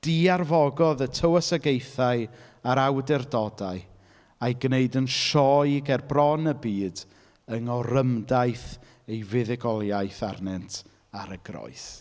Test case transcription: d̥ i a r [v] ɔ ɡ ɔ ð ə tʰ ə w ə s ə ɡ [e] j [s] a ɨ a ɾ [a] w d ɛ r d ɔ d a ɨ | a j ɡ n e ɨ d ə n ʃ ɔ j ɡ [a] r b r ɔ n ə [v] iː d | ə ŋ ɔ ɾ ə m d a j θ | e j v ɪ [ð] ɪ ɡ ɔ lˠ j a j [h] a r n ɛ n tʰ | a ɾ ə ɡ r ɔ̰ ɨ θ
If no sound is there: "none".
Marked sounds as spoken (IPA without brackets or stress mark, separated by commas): v, e, θ, a, ɛ, b, ð, θ